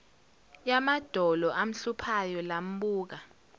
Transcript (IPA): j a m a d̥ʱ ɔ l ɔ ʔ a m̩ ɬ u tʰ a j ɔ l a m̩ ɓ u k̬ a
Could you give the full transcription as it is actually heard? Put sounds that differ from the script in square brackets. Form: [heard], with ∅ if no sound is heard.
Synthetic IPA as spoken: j a m a d̥ʱ ɔ l ɔ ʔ a m̩ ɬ u [pʰ] a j ɔ l a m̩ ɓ [uː] k̬ a